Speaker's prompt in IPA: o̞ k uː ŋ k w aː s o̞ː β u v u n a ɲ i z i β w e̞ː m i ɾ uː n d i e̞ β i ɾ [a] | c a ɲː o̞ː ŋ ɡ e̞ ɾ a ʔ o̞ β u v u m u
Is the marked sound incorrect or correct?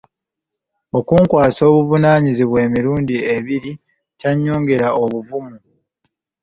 incorrect